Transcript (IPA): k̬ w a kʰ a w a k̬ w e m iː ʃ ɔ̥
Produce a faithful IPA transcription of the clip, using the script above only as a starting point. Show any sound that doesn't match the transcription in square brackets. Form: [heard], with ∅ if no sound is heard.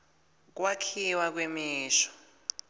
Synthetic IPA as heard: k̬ w a kʰ [i] w a k̬ w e m iː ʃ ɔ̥